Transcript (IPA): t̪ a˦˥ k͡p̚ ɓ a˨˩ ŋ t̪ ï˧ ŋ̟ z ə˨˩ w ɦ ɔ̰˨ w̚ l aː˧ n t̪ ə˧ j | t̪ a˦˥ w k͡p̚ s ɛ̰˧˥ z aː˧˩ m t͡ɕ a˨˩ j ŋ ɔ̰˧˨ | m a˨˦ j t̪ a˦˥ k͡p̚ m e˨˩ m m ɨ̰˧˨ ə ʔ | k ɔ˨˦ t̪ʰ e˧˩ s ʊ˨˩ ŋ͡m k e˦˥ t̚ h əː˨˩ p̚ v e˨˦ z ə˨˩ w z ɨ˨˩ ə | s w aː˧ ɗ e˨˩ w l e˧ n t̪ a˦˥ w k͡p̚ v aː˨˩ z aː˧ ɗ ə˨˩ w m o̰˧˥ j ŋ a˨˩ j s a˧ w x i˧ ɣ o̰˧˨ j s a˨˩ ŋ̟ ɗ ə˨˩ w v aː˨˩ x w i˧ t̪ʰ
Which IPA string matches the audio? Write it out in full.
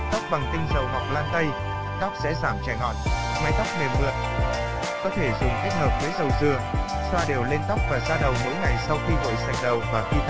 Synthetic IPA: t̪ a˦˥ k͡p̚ ɓ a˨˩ ŋ t̪ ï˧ ŋ̟ z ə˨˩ w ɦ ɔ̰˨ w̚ l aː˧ n t̪ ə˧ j | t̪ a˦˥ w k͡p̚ s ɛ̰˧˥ z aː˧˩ m t͡ɕ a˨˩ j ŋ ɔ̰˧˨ | m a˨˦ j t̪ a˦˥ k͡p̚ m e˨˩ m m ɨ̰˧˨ ə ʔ | k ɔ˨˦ t̪ʰ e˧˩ z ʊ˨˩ ŋ͡m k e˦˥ t̚ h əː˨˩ p̚ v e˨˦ z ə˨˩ w z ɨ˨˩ ə | s w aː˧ ɗ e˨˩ w l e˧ n t̪ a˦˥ w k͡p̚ v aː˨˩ z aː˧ ɗ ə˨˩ w m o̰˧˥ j ŋ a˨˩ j s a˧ w x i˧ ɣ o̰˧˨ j s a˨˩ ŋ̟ ɗ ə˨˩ w v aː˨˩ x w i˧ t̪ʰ

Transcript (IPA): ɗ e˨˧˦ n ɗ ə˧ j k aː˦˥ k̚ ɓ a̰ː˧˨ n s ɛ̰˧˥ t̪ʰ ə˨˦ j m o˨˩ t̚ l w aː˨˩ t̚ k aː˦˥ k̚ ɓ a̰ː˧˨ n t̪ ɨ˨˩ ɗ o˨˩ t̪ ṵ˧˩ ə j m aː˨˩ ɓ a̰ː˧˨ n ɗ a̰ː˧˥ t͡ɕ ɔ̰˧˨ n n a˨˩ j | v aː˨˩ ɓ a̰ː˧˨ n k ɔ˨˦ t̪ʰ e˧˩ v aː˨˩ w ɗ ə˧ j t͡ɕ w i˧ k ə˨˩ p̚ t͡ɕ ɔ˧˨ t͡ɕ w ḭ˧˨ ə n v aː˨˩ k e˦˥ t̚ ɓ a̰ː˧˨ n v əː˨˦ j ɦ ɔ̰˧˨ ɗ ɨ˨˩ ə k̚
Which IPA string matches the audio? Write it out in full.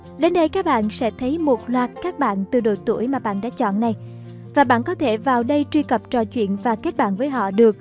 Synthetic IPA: ɗ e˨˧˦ n ɗ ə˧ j k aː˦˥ k̚ ɓ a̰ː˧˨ n s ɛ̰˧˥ t̪ʰ ə˨˦ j m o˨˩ t̚ l w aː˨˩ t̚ k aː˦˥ k̚ ɓ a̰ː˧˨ n t̪ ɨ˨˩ ɗ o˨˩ t̪ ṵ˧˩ ə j m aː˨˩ ɓ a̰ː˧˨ n ɗ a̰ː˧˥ t͡ɕ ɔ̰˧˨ n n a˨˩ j | v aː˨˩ ɓ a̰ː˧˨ n k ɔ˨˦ t̪ʰ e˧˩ v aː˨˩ w ɗ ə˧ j t͡ɕ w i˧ k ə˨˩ p̚ t͡ɕ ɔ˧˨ t͡ɕ w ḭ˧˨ ə n v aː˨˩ k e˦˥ t̚ ɓ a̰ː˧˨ n v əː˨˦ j ɦ ɔ̰˧˨ ɗ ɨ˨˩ ə k̚

